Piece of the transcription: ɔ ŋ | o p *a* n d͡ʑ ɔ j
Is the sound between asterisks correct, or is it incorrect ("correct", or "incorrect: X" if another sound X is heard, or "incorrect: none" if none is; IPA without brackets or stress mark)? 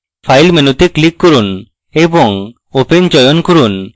incorrect: e